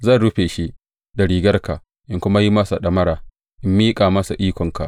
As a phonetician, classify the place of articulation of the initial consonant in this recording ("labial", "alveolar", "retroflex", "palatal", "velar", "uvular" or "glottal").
alveolar